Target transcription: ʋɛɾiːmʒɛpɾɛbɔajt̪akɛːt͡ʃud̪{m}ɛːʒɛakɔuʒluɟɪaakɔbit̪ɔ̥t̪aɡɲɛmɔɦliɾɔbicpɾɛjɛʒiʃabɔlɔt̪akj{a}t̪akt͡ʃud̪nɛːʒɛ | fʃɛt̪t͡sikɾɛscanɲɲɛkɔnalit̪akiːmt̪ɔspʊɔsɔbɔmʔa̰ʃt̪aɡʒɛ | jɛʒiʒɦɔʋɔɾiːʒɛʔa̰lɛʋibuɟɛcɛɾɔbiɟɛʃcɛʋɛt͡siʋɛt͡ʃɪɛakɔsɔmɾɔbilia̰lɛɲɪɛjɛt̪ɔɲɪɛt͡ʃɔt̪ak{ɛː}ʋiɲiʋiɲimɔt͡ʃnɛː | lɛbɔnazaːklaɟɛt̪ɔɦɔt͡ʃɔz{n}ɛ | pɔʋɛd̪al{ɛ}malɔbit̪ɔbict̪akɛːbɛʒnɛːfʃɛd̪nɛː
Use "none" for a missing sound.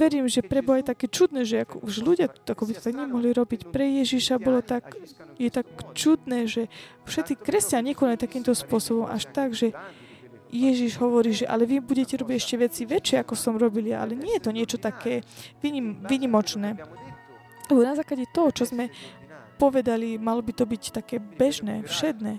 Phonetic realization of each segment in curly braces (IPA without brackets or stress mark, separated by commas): n, ɛ, ɛː, m, i